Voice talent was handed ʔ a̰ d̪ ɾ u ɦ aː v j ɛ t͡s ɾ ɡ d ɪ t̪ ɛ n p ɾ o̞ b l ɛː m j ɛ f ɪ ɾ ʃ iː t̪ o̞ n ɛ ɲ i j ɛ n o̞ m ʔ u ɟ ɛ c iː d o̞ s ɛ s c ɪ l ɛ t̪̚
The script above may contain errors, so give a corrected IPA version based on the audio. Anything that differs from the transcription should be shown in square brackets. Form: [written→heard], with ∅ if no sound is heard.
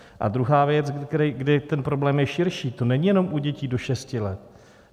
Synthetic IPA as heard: ʔ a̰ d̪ ɾ u ɦ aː v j ɛ t͡s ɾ ɡ d ɪ t̪ ɛ n p ɾ o̞ b l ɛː m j ɛ [f→ʃ] ɪ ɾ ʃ iː t̪ o̞ n ɛ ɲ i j ɛ n o̞ m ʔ u ɟ ɛ c iː d o̞ [s→ʃ] ɛ s c ɪ l ɛ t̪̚